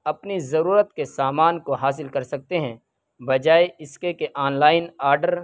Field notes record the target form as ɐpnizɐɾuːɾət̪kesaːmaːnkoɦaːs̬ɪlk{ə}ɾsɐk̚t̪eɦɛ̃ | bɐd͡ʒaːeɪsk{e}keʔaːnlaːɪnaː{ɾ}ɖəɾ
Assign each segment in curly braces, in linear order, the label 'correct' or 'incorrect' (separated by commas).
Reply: incorrect, correct, correct